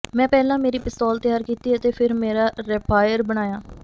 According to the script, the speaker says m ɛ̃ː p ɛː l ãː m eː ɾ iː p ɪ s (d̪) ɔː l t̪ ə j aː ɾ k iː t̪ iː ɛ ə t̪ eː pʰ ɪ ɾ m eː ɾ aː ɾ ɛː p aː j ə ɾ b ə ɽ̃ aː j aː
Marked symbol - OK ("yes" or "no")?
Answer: no